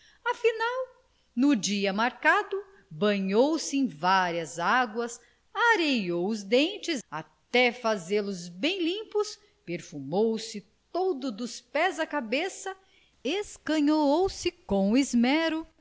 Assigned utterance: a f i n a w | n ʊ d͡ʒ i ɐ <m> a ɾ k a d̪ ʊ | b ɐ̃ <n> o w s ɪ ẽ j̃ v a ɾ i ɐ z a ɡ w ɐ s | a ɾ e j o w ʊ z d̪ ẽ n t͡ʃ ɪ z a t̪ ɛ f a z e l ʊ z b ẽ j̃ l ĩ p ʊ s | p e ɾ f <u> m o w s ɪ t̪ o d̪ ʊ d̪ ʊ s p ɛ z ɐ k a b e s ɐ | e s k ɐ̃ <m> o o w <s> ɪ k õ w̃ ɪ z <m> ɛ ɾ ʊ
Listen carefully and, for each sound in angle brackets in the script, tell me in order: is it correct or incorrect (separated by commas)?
correct, incorrect, correct, incorrect, correct, correct